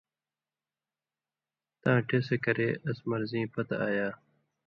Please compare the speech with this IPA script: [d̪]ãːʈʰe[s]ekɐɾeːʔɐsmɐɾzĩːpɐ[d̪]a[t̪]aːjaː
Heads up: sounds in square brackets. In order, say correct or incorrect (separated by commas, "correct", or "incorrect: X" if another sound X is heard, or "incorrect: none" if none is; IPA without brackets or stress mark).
incorrect: t̪, correct, incorrect: t̪, incorrect: none